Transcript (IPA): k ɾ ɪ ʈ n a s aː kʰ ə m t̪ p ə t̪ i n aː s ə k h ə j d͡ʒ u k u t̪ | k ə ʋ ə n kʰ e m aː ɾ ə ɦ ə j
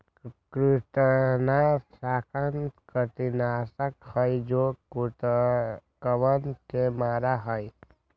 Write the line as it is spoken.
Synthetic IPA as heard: k ɾ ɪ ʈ n a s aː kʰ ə n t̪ k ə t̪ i n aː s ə k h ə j d͡ʒ o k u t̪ | k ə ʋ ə n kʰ e m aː ɾ a ɦ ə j